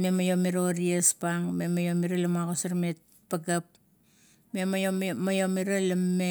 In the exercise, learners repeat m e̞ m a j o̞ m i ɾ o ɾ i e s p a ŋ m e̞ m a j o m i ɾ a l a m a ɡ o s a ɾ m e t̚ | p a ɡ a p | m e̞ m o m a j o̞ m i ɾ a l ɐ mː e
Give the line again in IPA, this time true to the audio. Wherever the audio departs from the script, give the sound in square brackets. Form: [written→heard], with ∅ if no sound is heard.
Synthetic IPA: m e̞ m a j o̞ m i ɾ o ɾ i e s p a ŋ m e̞ m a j o m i ɾ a l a m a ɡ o s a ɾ m e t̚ | p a ɡ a p | m e̞ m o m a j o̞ m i ɾ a l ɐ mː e